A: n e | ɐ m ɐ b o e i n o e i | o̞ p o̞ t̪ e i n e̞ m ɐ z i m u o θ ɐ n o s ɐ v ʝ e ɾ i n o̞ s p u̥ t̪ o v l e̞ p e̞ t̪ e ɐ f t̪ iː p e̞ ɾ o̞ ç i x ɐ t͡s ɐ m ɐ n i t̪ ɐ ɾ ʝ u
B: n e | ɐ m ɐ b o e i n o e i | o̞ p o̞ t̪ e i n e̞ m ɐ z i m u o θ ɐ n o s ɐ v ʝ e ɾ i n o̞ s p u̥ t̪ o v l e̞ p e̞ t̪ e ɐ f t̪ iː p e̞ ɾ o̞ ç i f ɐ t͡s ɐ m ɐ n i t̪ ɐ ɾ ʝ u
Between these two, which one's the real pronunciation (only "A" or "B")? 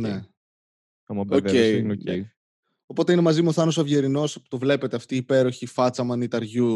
B